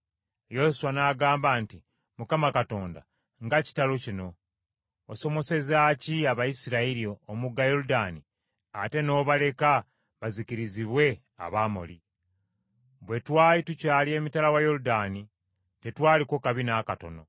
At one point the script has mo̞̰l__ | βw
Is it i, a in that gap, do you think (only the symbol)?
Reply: i